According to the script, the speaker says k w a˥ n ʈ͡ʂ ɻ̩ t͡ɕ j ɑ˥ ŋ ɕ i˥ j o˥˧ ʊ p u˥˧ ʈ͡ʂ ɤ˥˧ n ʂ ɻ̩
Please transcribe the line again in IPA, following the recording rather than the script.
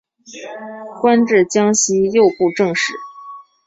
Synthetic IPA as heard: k w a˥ n ʈ͡ʂ ɻ̩ t͡ɕ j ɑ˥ ŋ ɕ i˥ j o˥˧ ʊ p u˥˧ ʈ͡ʂ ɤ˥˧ ŋ ʂ ɻ̩